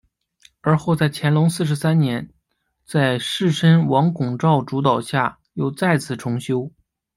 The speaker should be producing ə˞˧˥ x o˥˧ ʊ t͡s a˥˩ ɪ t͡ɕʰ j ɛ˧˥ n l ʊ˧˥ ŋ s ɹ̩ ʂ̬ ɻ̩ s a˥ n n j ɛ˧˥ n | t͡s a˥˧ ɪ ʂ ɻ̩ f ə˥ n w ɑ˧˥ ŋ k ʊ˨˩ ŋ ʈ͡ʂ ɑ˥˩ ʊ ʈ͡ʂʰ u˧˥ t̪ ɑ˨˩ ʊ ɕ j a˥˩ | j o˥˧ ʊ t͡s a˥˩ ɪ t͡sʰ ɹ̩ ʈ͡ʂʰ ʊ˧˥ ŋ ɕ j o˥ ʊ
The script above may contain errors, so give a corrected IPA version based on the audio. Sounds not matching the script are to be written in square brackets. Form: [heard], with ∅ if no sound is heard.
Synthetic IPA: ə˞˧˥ x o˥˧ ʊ t͡s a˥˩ ɪ t͡ɕʰ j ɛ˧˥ n l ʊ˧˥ ŋ s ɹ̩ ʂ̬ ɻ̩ s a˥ n n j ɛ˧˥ n | t͡s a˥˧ ɪ ʂ ɻ̩ [ʂ] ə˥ n w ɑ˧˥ ŋ k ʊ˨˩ ŋ ʈ͡ʂ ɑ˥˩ ʊ [ʈ͡ʂ] u˧˥ t̪ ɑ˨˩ ʊ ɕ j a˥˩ | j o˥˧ ʊ t͡s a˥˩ ɪ t͡sʰ ɹ̩ ʈ͡ʂʰ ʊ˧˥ ŋ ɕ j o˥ ʊ